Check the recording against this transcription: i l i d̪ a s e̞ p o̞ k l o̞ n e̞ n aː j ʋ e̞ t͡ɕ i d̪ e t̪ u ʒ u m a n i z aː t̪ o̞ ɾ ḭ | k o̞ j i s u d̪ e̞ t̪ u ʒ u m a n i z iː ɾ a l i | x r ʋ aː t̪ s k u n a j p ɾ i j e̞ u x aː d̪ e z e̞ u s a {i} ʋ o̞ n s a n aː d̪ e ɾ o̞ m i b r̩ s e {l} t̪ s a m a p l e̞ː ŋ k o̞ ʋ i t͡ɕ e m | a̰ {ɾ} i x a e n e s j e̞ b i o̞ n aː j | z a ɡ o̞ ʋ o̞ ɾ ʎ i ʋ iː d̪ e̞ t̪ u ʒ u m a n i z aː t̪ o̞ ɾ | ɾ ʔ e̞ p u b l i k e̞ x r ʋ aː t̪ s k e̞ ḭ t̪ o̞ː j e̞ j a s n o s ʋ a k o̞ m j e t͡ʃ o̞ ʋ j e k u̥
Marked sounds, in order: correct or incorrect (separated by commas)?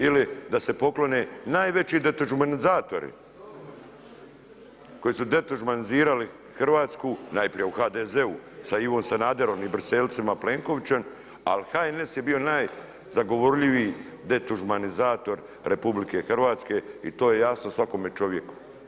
correct, correct, incorrect